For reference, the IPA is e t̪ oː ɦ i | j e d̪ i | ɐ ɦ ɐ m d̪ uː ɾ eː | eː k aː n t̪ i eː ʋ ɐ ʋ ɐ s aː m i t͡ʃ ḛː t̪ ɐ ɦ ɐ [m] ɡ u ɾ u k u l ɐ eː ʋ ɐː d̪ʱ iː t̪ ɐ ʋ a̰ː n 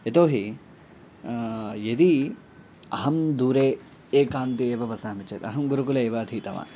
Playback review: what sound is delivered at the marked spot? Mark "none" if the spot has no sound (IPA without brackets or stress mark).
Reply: m